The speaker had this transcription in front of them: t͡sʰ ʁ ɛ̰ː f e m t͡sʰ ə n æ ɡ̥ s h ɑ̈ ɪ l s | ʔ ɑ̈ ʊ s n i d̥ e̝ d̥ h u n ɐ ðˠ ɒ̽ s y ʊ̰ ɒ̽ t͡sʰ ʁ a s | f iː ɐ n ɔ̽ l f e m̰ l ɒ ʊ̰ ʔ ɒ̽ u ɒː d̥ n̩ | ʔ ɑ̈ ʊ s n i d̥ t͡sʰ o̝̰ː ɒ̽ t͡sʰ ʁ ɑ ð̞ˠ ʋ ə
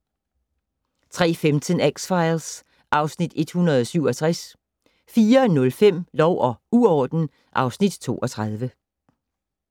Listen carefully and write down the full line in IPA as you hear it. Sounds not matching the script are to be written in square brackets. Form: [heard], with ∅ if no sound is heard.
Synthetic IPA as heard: t͡sʰ ʁ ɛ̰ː f e m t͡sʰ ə n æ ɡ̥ s [f] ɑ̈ ɪ l s | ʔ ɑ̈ ʊ s n i d̥ e̝ d̥ h u n ɐ ðˠ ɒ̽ s y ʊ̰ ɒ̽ t͡sʰ ʁ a s | f iː ɐ n ɔ̽ l f e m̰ l ɒ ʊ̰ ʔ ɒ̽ u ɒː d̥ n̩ | ʔ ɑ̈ ʊ s n i d̥ t͡sʰ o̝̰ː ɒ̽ t͡sʰ ʁ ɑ ð̞ˠ ʋ ə